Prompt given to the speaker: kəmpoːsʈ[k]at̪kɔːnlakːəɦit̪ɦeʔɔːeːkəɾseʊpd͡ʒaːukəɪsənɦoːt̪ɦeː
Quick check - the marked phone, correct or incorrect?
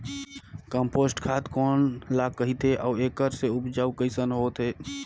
incorrect